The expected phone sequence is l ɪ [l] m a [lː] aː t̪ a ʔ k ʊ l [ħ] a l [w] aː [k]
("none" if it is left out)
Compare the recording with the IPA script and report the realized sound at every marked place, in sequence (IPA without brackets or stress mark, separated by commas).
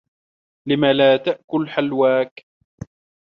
none, l, ħ, w, k